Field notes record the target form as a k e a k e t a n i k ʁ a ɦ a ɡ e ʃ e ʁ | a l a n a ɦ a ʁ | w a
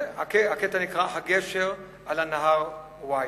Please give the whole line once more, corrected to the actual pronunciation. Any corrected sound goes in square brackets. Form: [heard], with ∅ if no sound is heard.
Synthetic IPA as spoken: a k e a k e t a n i k ʁ a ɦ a ɡ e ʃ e ʁ | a l a n a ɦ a ʁ | w a